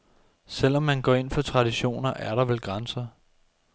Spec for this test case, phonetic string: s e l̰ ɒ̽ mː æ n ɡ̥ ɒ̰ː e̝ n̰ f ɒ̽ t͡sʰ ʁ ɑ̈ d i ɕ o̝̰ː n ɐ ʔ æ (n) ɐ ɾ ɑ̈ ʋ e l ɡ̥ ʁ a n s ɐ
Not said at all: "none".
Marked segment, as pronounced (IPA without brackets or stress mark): none